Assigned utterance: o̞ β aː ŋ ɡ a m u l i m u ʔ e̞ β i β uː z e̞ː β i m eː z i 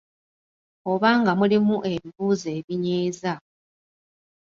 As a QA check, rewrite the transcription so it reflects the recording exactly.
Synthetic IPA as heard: o̞ β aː ŋ ɡ a m u l i m u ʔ e̞ β i β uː z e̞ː β i ɲ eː z a